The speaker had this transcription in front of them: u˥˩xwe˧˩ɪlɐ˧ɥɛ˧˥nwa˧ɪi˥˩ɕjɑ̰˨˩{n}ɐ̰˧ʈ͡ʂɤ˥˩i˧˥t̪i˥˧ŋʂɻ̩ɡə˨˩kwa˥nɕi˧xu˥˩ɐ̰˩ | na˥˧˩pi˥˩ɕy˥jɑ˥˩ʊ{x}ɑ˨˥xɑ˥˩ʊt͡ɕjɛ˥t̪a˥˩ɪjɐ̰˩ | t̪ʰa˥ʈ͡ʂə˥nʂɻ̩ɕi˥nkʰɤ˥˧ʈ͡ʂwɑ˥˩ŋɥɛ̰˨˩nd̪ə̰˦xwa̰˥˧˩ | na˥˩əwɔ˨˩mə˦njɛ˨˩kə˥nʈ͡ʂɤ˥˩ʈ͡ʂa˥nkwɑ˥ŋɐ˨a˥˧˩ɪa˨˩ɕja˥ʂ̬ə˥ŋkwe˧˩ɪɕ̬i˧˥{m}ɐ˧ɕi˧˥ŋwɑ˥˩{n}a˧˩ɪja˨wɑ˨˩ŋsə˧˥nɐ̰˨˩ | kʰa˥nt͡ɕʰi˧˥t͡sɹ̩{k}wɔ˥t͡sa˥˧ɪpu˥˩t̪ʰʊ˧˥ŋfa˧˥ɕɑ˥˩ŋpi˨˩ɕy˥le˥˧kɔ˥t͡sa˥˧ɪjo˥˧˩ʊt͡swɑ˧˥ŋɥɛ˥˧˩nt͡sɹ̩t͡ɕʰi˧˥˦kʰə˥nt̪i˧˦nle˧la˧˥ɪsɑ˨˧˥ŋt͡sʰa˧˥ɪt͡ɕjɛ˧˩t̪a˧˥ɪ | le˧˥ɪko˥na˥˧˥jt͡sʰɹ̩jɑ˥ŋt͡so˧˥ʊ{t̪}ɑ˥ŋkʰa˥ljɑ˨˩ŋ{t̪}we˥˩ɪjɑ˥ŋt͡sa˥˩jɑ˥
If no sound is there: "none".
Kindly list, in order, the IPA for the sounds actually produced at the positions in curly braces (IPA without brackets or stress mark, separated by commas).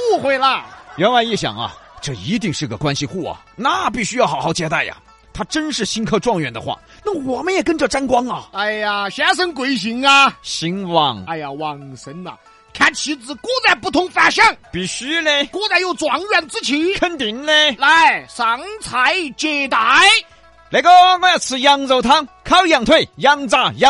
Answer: ŋ, x, ŋ, ŋ, k, t̪ʰ, t̪ʰ